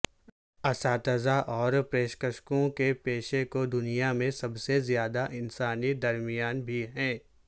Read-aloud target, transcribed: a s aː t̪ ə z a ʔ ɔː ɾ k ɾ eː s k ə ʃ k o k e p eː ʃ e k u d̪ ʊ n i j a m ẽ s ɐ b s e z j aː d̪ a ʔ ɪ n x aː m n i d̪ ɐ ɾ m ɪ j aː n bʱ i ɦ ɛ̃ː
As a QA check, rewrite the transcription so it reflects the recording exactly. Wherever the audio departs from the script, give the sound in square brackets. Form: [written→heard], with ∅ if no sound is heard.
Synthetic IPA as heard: [a→ɐ] s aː t̪ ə z a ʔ ɔː ɾ [k→p] ɾ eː [s→ʃ] k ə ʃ k [o→õ] k e p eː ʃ e k [u→o] d̪ ʊ n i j a m ẽ s ɐ b s e z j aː d̪ a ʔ ɪ n [x→s] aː [m→∅] n i d̪ ɐ ɾ m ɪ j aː n bʱ i ɦ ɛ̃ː